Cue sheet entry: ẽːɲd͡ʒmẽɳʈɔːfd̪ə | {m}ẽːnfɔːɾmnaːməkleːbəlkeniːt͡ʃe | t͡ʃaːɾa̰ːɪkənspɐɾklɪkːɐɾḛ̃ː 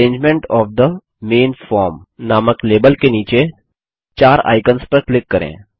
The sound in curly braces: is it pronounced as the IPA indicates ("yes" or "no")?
yes